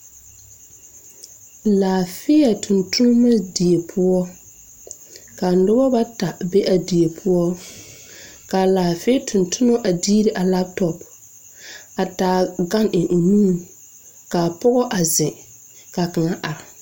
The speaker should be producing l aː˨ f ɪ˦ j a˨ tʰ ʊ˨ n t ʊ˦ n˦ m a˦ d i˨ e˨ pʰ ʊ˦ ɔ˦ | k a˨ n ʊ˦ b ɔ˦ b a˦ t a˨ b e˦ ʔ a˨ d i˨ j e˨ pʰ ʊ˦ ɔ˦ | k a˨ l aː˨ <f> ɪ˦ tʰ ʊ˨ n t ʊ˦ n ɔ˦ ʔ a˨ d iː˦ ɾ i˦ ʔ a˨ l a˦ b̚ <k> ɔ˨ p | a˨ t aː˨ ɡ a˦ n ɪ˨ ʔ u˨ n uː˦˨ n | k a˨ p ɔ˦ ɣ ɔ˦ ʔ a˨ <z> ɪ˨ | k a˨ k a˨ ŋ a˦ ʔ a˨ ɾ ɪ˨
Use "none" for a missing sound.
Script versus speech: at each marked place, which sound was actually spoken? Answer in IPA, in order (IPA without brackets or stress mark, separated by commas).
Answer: f, t, z